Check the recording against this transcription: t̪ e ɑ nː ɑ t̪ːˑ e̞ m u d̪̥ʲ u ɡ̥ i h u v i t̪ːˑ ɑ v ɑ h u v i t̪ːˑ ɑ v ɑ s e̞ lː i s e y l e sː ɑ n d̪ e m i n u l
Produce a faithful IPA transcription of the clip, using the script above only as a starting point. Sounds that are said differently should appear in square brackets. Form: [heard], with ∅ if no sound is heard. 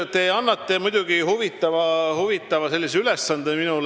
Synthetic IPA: t̪ e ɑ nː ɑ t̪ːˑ e̞ m u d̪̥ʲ u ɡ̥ i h u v i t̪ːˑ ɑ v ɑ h u v i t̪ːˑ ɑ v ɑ s e̞ lː i s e y l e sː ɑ n d̪ e m i n u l